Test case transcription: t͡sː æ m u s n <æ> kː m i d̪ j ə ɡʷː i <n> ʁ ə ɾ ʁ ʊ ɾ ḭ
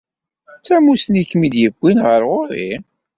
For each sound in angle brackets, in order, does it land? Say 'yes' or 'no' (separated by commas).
no, yes